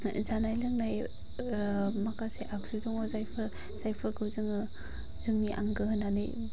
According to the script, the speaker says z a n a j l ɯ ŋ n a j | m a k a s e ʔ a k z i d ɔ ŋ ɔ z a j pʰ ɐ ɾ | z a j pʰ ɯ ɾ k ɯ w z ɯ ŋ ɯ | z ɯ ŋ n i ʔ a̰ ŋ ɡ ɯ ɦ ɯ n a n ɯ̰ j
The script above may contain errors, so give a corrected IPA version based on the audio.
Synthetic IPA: z a n a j l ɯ ŋ n a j | m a k a s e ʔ a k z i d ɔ ŋ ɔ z a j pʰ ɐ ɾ | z a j pʰ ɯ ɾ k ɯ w z ɯ ŋ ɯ | z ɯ ŋ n i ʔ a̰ ŋ ɡ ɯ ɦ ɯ n a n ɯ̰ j